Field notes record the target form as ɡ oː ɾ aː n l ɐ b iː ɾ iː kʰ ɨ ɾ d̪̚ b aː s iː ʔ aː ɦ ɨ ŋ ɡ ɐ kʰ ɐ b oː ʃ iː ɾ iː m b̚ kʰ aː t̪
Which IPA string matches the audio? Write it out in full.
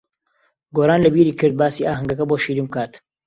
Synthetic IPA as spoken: ɡ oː ɾ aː n l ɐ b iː ɾ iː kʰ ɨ ɾ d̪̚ b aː s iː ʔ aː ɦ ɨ ŋ ɡ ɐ k ɐ b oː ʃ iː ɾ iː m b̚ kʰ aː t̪